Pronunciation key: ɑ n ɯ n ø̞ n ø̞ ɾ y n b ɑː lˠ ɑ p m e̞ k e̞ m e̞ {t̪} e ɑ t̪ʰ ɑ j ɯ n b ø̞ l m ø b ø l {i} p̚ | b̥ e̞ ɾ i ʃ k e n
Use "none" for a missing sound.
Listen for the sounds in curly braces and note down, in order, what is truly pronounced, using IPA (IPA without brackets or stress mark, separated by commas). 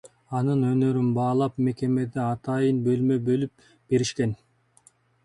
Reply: d̪, y